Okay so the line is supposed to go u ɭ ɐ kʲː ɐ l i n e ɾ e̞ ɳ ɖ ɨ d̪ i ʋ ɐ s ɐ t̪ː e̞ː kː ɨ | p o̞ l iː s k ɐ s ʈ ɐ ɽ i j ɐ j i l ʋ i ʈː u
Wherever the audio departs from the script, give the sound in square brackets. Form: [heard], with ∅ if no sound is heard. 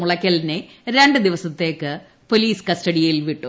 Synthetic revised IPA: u ɭ ɐ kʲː ɐ l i n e ɾ e̞ ɳ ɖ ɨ d̪ i ʋ ɐ s ɐ t̪ː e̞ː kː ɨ | p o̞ l iː s k ɐ s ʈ ɐ ɽ i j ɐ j i l ʋ i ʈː u